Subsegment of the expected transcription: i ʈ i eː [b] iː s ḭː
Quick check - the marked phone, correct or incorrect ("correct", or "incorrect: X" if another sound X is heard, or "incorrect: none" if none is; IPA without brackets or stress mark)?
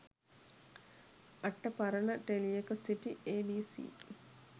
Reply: correct